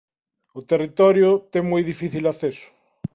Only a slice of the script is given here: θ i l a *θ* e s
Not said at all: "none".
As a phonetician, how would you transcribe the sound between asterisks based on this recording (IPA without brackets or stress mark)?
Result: θ